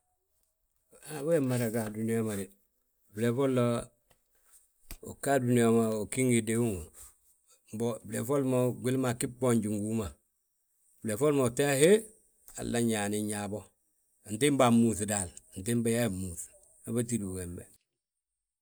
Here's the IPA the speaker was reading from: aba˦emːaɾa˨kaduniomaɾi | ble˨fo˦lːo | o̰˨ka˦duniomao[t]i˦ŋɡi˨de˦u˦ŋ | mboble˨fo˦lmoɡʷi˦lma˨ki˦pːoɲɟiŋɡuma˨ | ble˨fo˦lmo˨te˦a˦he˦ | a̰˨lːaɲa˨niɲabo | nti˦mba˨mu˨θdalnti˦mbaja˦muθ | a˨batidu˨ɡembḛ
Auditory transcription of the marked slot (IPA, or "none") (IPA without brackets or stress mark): k